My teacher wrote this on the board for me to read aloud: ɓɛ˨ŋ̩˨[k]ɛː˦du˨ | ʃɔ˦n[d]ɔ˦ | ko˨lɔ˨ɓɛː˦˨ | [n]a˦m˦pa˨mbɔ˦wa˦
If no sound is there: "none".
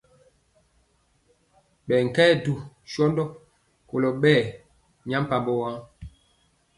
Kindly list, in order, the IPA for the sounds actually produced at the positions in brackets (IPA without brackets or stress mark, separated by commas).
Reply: k, d, ɲ